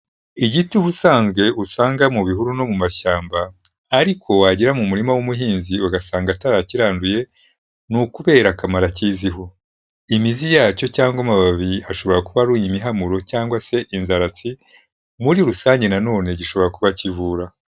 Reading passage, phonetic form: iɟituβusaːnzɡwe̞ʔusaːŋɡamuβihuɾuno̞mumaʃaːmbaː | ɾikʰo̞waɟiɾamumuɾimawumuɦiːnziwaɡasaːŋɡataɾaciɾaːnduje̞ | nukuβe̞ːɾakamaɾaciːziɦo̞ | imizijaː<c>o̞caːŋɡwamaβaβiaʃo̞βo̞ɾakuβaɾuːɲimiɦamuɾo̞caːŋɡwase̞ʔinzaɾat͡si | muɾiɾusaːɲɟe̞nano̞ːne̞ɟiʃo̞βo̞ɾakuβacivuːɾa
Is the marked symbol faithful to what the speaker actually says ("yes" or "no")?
yes